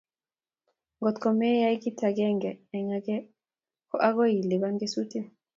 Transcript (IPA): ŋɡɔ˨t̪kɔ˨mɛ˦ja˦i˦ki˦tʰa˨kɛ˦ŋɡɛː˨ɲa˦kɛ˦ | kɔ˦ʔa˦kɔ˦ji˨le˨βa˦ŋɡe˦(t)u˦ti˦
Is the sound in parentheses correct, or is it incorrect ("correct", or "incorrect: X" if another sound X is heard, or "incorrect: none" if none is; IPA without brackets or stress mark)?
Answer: incorrect: s